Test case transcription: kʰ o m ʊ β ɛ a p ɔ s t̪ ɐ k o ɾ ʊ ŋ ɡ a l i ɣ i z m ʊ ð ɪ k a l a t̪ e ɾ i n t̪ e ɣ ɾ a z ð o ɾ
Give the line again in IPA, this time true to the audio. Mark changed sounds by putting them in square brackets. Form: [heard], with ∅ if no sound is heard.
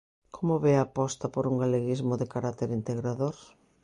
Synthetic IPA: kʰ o m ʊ β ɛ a p ɔ s t̪ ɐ [p] o ɾ [u] ŋ ɡ a l [e] ɣ i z m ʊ ð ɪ k a [ɾ] a t̪ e ɾ i n t̪ e ɣ ɾ a [∅] ð o ɾ